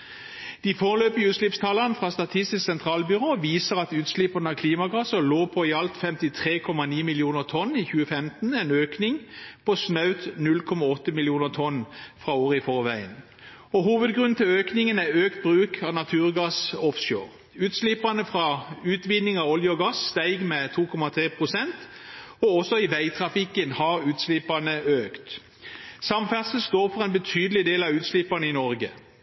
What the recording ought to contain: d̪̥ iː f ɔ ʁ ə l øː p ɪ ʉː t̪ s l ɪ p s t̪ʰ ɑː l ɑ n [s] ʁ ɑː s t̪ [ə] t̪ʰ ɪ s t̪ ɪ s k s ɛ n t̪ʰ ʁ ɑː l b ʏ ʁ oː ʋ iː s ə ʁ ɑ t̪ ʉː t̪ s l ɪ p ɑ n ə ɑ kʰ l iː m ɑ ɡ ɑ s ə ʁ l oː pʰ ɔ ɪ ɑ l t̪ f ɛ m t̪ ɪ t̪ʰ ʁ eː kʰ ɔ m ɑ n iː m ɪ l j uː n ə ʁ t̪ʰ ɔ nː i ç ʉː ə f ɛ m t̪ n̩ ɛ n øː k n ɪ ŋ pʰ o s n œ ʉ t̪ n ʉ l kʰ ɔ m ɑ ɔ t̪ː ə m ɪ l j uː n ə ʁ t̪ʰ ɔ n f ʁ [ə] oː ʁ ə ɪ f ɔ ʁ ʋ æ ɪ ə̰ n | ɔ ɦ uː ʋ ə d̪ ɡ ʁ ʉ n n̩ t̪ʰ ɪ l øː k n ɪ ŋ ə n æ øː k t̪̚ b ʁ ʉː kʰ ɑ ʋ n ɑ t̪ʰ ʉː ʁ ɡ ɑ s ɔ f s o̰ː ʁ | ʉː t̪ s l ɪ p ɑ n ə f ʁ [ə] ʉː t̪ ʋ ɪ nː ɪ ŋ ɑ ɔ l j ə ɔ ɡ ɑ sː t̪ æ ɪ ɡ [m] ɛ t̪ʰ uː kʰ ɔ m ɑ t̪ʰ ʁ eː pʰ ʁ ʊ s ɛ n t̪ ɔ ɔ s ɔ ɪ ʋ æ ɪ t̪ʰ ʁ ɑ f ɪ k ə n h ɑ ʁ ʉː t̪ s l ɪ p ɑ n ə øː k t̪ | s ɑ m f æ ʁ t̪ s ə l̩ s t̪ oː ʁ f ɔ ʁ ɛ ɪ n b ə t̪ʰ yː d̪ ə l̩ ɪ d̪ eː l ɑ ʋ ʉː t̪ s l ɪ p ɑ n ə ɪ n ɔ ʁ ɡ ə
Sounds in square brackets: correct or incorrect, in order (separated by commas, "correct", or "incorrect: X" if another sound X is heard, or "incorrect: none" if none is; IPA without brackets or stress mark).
incorrect: f, incorrect: ɑ, incorrect: ɑ, incorrect: ɑ, correct